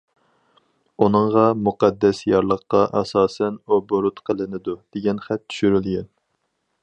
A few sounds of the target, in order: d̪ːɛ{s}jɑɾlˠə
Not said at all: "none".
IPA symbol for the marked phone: s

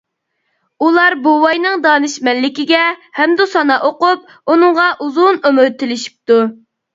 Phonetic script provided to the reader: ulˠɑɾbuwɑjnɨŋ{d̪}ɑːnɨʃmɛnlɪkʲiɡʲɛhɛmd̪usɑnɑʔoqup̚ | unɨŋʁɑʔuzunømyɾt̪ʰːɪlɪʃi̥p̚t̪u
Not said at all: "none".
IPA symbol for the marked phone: d̪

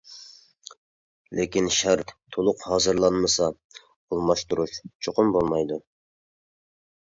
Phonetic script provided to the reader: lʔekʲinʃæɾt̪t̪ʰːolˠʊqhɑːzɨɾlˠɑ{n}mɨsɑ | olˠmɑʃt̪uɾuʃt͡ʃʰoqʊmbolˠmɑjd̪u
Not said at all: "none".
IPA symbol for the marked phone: n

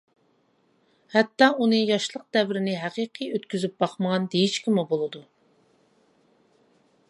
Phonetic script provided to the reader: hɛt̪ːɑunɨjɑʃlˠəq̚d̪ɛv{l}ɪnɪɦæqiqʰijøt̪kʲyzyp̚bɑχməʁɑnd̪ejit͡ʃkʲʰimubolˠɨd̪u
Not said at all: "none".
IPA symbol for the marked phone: ɾ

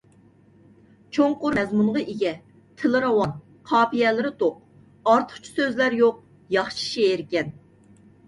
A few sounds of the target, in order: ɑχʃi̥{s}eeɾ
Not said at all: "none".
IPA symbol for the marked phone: ʃ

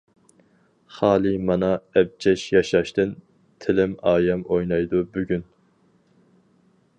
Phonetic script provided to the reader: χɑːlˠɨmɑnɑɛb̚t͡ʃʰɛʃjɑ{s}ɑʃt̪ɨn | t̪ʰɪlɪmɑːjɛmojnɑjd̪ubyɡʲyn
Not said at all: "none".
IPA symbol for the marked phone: ʃ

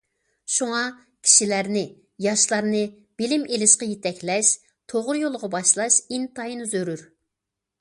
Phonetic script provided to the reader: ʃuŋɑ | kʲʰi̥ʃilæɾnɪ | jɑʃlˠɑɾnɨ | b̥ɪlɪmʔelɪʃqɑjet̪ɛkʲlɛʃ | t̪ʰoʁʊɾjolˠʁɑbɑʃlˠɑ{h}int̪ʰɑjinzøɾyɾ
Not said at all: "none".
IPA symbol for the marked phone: ʃ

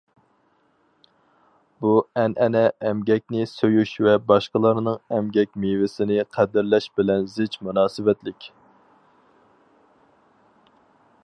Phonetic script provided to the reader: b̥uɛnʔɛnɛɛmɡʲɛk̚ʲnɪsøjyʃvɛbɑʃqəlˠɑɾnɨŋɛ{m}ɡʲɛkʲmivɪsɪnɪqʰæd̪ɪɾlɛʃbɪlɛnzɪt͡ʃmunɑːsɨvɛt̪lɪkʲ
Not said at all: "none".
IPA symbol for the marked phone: m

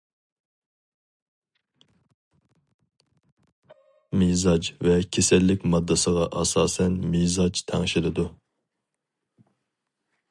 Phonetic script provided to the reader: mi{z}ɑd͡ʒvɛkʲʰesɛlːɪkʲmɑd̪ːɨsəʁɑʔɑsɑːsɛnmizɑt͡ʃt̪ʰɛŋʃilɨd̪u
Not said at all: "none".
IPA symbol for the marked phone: z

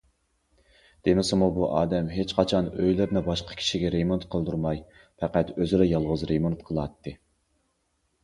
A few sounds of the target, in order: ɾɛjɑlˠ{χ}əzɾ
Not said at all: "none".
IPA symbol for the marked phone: ʁ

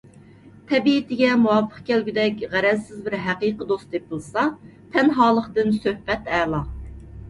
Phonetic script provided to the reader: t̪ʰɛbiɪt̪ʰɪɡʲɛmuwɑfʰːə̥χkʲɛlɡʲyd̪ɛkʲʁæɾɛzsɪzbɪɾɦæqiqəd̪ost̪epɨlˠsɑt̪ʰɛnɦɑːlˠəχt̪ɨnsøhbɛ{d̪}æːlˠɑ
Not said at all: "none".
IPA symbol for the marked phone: t̪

